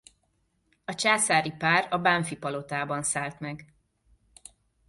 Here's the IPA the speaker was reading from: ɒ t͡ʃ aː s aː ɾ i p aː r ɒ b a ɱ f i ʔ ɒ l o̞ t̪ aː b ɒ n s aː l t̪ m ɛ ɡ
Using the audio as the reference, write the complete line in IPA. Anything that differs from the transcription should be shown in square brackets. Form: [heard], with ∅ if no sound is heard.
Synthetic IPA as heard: ɒ t͡ʃ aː s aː ɾ i p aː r ɒ b a ɱ f i [p] ɒ l o̞ t̪ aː b ɒ n s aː l t̪ m ɛ ɡ